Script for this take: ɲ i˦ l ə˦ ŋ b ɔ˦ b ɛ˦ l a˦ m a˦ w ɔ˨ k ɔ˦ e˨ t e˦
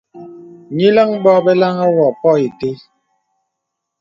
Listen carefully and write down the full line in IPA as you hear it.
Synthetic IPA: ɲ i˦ l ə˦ ŋ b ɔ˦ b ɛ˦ l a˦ ŋ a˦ w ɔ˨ p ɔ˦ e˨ t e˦